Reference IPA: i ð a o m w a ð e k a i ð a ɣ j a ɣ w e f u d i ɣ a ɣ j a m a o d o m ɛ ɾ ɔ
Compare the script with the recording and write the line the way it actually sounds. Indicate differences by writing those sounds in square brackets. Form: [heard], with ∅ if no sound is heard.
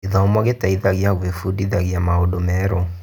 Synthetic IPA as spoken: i ð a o m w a [ɣ] e [t] a i ð a ɣ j a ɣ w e f u d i [ð] a ɣ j a m a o d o m ɛ ɾ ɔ